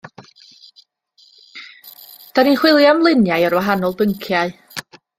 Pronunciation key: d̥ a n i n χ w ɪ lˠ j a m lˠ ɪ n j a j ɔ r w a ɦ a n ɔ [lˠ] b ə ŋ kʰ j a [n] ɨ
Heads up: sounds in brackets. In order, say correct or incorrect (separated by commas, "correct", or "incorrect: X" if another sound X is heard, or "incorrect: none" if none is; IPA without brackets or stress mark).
correct, incorrect: none